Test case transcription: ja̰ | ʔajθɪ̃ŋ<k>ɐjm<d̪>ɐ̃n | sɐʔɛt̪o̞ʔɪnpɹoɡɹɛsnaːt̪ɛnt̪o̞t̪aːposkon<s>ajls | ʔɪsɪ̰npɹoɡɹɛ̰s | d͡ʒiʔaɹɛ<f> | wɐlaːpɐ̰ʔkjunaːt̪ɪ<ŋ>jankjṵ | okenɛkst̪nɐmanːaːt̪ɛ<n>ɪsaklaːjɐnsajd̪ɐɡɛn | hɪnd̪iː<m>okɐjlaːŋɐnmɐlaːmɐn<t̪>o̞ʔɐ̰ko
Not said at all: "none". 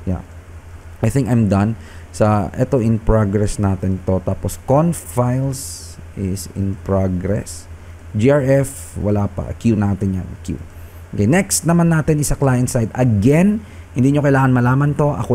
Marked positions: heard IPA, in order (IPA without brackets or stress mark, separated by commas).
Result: k, d̪, f, f, n, n, ɲ, t̪